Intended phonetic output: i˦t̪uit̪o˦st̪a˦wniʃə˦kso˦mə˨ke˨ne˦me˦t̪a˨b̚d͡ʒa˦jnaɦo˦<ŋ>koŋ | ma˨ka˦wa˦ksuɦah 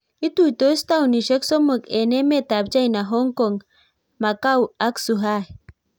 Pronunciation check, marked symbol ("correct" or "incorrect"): correct